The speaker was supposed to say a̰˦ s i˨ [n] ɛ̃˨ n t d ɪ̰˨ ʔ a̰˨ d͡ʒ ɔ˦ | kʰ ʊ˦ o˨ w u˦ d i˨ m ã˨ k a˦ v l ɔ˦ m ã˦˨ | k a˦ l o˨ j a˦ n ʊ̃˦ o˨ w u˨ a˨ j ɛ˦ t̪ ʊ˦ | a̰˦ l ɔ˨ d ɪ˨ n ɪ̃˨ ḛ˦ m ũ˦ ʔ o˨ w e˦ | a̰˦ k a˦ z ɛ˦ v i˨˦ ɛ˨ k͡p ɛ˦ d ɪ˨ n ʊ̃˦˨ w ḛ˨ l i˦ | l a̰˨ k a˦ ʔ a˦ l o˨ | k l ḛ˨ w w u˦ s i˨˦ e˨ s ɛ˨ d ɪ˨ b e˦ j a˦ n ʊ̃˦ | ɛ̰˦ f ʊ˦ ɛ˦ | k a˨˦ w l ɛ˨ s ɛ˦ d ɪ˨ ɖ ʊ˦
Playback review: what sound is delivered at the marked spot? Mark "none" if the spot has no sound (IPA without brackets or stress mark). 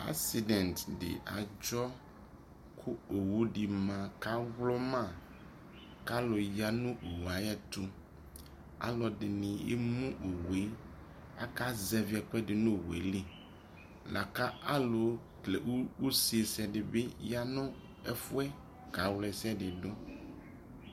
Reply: d